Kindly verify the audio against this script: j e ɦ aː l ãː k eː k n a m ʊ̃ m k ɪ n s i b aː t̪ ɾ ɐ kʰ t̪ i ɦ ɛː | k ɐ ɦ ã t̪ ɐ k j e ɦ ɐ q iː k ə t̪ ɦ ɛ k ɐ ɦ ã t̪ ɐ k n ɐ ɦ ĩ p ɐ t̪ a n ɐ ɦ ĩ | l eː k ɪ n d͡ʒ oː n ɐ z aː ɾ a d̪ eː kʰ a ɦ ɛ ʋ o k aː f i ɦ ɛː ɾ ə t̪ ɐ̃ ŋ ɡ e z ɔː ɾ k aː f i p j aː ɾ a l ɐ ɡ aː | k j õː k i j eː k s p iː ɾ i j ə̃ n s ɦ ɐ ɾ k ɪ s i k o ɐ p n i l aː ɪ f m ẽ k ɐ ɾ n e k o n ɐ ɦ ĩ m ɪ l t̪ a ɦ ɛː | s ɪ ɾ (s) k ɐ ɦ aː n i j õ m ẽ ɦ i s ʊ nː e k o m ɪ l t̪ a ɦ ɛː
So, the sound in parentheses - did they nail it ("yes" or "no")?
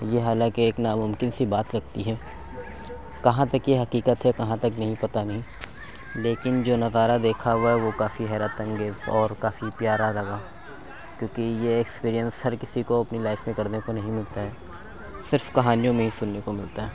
no